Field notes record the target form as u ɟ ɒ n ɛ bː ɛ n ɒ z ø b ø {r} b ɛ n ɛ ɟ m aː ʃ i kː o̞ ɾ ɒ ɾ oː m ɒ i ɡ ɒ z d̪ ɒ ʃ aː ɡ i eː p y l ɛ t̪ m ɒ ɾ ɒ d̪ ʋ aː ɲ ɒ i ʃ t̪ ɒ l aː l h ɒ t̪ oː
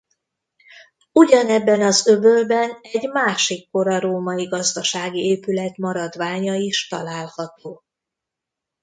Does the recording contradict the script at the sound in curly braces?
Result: yes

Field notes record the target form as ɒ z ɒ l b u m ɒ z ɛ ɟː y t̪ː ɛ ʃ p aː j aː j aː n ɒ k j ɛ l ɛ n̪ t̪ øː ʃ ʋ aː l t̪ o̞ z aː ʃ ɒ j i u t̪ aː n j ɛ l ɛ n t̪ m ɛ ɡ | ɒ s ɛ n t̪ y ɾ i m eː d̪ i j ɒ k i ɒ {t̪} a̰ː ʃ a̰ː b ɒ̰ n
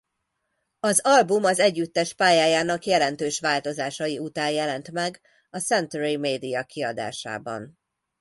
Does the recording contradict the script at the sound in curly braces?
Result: yes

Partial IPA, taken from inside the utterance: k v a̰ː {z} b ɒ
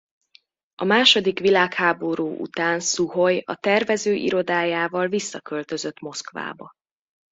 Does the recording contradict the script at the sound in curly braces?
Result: yes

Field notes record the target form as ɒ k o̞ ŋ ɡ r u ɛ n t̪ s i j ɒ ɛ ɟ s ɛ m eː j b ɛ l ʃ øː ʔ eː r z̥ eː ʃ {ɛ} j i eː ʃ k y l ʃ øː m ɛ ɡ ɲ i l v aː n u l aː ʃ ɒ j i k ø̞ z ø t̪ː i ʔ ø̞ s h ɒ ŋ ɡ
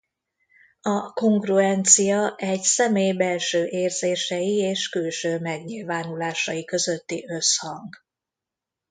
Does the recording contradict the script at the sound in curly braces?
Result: no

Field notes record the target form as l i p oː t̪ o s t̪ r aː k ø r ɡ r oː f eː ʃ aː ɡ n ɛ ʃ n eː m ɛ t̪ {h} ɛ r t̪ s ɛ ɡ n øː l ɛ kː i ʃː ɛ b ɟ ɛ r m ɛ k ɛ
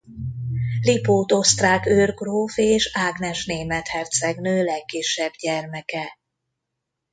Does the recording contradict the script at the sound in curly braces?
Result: no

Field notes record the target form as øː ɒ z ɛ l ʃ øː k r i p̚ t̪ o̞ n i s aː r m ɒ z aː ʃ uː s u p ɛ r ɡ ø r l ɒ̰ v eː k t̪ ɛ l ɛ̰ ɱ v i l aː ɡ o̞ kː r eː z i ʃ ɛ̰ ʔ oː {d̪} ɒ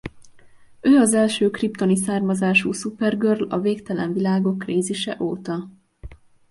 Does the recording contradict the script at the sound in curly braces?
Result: yes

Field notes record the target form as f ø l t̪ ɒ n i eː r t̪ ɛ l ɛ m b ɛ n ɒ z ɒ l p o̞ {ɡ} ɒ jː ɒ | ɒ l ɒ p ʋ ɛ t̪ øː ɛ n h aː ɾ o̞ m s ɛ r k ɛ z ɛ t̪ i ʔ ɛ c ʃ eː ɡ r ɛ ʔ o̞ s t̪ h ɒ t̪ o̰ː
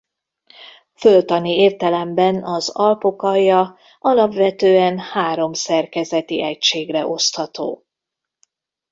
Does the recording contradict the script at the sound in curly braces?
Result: yes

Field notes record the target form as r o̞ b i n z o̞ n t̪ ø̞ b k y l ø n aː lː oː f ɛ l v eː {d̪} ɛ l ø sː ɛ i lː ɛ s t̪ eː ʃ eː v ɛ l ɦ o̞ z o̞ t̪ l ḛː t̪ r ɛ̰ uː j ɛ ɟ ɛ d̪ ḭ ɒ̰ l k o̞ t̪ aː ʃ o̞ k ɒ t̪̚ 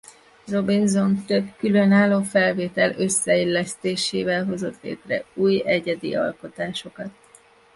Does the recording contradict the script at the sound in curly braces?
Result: yes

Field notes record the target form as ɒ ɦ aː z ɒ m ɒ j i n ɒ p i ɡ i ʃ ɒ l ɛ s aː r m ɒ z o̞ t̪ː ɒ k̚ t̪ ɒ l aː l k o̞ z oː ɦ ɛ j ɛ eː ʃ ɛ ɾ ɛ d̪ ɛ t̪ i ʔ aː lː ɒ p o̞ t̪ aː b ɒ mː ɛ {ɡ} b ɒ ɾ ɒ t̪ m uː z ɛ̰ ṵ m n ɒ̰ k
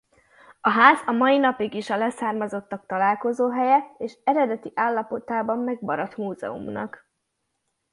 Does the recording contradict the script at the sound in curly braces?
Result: no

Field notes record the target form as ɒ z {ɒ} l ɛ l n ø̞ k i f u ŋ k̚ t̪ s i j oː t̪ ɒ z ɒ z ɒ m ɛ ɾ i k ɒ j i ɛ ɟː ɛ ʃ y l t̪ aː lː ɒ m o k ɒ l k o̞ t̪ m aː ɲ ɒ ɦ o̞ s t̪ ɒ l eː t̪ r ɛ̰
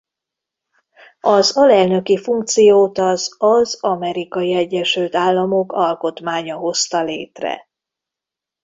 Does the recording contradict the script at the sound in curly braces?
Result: no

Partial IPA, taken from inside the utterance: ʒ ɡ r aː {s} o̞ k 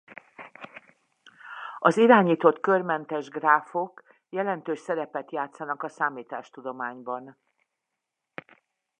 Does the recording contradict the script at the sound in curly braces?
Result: yes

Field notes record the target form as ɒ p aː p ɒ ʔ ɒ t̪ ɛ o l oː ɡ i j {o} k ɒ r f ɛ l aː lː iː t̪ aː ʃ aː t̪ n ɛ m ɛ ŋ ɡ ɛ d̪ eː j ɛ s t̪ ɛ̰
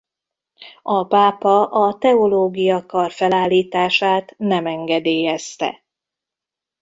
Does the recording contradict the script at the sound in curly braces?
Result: yes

